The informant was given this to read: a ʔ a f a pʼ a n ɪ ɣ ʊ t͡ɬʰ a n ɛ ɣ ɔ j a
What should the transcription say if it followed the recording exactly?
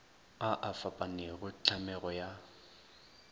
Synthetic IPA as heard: a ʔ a f a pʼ a n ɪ ɣ ʊ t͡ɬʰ a m ɛ ɣ ɔ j a